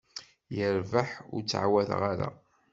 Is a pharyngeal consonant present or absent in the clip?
present